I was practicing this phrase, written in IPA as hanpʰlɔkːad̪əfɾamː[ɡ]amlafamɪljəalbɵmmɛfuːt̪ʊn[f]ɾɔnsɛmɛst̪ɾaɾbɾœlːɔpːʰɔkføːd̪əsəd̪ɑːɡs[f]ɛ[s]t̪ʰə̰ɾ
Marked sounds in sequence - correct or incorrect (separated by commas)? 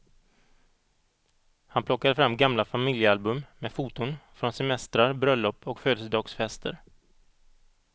correct, correct, correct, correct